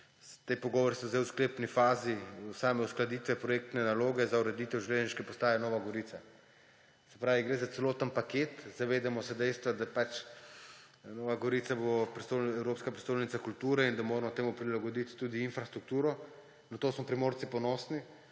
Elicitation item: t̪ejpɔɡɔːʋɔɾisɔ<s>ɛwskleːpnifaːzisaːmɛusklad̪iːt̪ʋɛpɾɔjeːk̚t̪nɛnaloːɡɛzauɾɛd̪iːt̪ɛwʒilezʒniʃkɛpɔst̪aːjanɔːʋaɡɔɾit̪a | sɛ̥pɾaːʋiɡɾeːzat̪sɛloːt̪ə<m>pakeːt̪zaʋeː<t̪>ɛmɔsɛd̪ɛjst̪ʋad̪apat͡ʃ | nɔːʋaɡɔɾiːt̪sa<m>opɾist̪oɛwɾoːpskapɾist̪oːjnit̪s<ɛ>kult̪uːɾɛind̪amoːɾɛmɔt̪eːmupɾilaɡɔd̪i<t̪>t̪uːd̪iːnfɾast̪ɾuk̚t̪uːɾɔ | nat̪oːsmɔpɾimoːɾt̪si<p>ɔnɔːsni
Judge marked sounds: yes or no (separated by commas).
no, no, no, no, no, yes, yes